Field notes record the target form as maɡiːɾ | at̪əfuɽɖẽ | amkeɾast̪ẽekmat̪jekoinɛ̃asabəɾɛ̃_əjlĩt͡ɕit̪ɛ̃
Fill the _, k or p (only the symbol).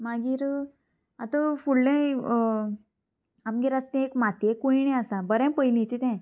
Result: p